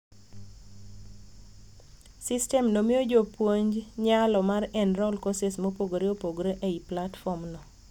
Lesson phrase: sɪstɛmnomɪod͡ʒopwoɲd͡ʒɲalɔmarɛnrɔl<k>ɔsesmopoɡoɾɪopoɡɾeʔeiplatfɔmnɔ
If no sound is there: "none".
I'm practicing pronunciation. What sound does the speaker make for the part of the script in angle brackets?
k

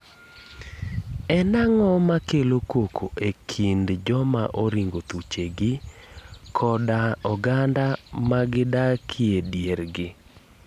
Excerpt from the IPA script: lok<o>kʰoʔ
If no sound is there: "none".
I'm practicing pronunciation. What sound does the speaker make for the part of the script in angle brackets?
o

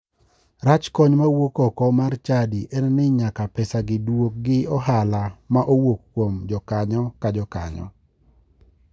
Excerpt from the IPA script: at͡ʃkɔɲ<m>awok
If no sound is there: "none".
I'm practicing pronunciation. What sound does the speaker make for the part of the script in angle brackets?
m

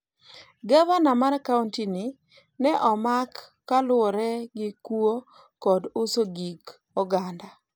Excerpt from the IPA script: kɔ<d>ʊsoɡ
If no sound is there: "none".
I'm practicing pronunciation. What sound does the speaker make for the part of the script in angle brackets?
d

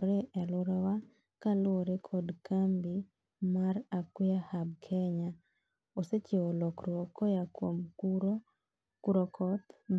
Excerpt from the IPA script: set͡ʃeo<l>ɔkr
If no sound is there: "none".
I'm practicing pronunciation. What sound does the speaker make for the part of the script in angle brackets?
l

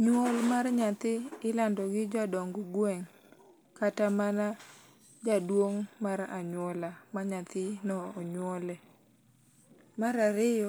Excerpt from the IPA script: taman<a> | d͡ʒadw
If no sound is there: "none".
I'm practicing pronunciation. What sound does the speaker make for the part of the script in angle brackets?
a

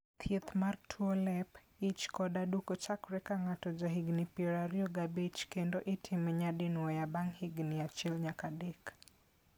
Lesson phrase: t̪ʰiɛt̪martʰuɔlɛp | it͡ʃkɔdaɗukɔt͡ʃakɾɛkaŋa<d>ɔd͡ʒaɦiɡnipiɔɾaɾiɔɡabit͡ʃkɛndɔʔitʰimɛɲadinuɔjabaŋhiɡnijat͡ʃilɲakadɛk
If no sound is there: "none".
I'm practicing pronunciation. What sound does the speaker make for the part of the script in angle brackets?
t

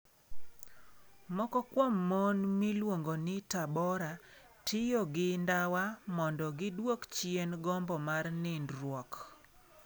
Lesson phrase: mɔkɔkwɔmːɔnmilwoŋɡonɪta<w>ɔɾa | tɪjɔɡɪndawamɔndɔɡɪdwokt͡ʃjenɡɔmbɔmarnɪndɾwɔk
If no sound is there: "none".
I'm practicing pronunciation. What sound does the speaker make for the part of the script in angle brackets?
b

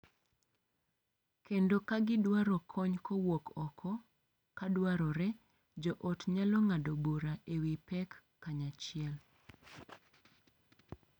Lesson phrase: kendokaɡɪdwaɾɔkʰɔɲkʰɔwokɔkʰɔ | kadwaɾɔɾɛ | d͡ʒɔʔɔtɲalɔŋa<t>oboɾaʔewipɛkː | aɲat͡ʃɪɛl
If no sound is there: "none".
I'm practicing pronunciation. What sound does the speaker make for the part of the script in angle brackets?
d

